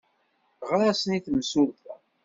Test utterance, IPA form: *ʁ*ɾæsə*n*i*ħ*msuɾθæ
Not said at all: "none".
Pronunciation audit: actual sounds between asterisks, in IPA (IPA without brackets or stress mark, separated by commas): ʁ, n, θ